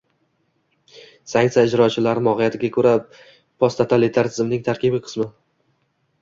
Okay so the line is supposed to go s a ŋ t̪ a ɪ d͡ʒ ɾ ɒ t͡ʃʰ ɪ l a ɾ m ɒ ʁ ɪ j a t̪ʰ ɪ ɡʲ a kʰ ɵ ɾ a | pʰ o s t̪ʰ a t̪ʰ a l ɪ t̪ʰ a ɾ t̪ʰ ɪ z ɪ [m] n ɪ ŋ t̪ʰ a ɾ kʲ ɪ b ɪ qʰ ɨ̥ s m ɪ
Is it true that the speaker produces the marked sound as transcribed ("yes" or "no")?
yes